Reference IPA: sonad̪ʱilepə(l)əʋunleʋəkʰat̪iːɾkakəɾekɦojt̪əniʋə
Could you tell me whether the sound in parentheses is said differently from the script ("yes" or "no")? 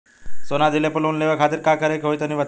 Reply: no